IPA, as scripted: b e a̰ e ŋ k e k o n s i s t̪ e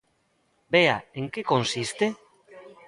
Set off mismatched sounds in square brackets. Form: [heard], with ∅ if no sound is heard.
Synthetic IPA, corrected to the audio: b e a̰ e ŋ k e k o n s i s t̪ e